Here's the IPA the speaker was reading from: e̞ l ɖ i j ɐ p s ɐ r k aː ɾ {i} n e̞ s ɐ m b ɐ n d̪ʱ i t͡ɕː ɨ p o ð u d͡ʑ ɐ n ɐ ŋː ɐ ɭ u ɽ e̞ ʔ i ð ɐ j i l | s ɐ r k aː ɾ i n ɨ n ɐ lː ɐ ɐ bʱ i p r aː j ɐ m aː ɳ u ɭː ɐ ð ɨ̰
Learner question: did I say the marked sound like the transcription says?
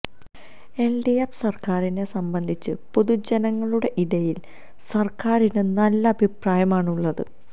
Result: yes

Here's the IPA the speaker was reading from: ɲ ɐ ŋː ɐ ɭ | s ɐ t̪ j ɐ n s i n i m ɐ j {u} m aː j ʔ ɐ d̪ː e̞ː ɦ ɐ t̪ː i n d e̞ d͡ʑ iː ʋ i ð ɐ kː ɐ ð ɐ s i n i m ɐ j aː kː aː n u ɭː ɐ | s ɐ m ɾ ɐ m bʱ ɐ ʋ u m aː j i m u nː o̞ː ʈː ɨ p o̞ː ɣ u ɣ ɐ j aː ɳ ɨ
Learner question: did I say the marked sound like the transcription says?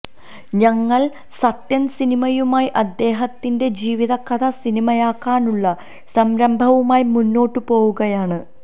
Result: yes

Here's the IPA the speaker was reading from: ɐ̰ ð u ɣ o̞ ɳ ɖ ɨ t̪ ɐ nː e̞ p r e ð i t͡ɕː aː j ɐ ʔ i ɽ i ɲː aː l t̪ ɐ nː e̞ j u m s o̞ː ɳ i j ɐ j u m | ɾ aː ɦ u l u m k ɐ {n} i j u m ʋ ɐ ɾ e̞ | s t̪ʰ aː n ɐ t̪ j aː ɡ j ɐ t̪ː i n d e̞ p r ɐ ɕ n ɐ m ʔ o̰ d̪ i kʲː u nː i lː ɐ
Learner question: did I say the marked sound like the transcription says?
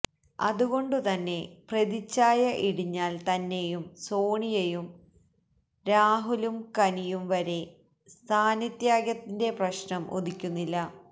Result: yes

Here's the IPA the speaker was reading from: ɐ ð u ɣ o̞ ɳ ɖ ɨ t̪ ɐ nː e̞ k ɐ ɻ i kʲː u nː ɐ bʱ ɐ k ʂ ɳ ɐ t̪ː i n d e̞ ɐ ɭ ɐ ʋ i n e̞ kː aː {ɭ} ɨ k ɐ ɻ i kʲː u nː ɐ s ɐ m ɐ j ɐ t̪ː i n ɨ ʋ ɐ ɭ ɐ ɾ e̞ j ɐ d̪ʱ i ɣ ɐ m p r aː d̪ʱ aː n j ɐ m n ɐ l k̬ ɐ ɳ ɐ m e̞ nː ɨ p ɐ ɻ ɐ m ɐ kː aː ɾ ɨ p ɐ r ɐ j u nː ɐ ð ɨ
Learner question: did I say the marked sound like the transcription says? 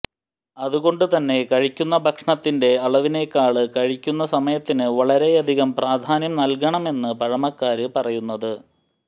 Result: yes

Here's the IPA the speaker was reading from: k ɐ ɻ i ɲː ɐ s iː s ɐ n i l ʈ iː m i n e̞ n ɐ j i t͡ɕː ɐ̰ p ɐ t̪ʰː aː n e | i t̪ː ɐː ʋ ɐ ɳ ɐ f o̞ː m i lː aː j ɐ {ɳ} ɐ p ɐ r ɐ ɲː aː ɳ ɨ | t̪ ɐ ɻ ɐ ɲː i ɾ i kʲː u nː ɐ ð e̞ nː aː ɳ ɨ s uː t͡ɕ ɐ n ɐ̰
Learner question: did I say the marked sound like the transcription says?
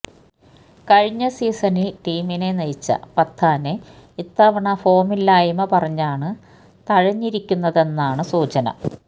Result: no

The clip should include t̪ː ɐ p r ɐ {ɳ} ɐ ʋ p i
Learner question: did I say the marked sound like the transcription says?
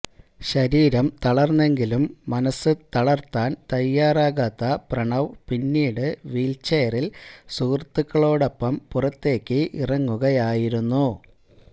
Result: yes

